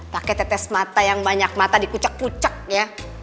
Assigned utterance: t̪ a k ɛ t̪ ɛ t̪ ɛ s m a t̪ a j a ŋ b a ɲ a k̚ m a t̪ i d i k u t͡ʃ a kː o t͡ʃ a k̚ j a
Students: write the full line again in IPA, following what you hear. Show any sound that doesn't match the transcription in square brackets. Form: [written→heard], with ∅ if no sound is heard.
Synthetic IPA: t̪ a k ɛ t̪ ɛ t̪ ɛ s m a t̪ a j a ŋ b a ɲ a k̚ m a t̪ [i→a] d i k u t͡ʃ a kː [o→u] t͡ʃ a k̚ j a